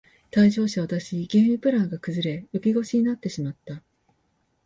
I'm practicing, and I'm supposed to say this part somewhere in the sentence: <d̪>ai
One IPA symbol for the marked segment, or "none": t̪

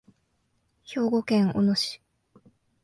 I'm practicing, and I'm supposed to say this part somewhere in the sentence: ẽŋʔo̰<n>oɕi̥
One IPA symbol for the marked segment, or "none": n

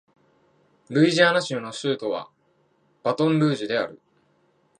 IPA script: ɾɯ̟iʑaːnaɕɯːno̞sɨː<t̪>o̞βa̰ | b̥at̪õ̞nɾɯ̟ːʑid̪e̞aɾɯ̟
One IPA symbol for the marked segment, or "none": t̪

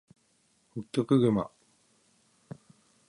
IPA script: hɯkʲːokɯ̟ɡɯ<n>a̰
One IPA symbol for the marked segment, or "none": m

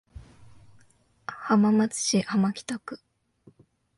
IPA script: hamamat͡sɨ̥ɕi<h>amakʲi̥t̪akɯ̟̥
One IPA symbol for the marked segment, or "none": h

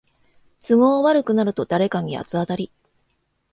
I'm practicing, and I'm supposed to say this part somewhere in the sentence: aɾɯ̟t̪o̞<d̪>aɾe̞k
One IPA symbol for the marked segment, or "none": d̪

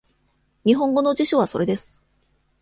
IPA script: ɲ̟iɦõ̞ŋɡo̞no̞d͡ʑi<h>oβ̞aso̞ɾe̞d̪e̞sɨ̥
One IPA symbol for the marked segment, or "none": ɕ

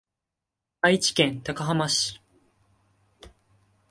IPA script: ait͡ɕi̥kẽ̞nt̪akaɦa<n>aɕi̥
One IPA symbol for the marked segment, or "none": m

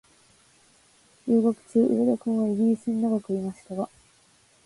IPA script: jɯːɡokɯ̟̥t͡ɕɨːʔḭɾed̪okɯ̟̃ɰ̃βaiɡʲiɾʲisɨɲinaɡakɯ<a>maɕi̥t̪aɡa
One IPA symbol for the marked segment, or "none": i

